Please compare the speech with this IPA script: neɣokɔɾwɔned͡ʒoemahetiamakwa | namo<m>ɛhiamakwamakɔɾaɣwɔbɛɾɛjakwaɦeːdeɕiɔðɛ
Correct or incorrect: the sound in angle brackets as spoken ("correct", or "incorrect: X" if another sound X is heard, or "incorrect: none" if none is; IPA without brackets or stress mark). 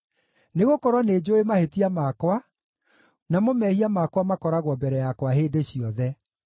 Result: correct